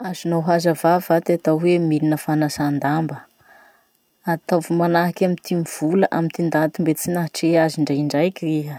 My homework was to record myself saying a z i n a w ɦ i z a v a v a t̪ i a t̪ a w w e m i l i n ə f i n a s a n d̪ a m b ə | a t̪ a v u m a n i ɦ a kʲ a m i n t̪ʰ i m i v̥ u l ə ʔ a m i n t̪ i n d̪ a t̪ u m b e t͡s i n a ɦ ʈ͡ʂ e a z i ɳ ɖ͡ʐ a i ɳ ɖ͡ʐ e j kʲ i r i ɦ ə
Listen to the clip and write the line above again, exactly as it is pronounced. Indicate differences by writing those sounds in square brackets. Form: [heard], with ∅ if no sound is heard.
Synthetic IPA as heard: a z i n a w ɦ [a] z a v a v a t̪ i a t̪ a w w e m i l i n ə f [a] n a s a n d̪ a m b ə | a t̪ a v u m a n [a] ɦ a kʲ a m i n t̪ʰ i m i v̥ u l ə ʔ a m i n t̪ i n d̪ a t̪ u m b e t͡s i n a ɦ ʈ͡ʂ e a z i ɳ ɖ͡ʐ a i ɳ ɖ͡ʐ [a] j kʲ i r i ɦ ə